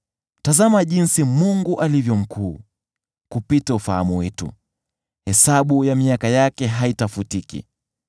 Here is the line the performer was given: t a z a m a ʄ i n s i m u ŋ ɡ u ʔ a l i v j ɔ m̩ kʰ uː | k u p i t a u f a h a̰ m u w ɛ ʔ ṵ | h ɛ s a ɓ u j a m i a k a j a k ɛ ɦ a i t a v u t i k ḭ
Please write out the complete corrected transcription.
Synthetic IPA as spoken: t a z a m a ʄ i n s i m u ŋ ɡ u ʔ a l i v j ɔ m̩ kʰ uː | k u p i t a u f a h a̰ m u w ɛ t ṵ | h ɛ s a ɓ u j a m i a k a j a k ɛ ɦ a i t a f u t i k ḭ